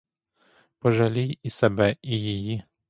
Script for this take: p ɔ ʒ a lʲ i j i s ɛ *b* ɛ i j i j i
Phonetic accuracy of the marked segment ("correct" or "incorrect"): correct